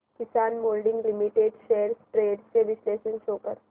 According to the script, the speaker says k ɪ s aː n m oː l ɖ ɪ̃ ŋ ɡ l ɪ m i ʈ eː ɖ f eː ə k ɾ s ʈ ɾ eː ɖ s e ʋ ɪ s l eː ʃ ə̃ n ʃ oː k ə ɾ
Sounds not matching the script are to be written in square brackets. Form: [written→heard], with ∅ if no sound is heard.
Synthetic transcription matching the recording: k ɪ s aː n m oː l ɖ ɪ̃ ŋ ɡ l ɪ m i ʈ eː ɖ [f→ʃ] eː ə [k→∅] ɾ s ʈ ɾ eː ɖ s e ʋ ɪ s l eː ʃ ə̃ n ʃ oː k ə ɾ